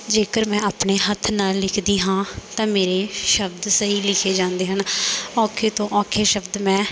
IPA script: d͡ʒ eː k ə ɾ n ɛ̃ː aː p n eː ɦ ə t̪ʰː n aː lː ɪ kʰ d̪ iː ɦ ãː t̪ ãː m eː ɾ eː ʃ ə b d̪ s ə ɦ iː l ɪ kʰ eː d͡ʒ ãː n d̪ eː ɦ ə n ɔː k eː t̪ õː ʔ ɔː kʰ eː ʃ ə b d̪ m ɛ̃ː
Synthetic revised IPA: d͡ʒ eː k ə ɾ m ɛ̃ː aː p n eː ɦ ə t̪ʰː n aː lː ɪ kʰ d̪ iː ɦ ãː t̪ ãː m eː ɾ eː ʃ ə b d̪ s ə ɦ iː l ɪ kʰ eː d͡ʒ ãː n d̪ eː ɦ ə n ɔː kʰ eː t̪ õː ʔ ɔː kʰ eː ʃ ə b d̪ m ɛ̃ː